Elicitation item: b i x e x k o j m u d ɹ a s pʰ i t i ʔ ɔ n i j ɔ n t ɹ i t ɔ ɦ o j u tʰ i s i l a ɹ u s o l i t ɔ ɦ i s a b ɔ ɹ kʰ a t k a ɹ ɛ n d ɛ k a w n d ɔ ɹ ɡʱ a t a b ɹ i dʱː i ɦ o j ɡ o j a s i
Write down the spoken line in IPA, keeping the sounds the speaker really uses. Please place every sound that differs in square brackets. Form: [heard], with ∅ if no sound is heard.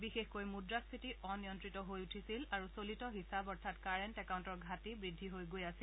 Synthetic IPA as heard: b i x e x k o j m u d ɹ a s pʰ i t i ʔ ɔ n i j ɔ n t ɹ i t ɔ ɦ o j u tʰ i s i l a ɹ u s o l i t ɔ ɦ i s a b ɔ ɹ [tʰ] a t k a ɹ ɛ n [t] ɛ k a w n [t] ɔ ɹ ɡʱ a t [i] b ɹ i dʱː i ɦ o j ɡ o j a s i